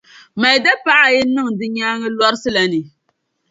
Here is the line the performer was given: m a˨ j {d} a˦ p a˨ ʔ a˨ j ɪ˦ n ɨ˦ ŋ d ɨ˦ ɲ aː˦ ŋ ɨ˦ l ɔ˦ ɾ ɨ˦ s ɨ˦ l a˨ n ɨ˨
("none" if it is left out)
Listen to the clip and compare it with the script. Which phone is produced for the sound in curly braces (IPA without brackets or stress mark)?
d